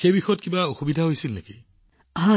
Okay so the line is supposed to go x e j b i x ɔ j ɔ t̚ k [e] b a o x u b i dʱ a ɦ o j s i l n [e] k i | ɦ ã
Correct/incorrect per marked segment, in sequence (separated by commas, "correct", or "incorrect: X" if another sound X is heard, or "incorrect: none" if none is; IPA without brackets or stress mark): incorrect: i, correct